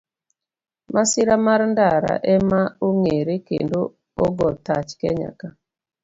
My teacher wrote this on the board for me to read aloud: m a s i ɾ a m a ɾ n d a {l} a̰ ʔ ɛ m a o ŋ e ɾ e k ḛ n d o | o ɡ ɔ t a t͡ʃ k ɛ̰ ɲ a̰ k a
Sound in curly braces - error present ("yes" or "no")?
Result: yes